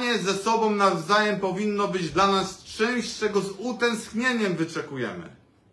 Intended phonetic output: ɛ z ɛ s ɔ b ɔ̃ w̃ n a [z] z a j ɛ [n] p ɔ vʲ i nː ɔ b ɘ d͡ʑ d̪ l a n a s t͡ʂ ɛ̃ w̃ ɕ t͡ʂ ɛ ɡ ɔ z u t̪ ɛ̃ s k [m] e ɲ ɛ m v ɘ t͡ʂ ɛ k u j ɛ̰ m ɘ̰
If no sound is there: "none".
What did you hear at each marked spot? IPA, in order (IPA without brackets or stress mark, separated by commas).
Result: v, m, ɲ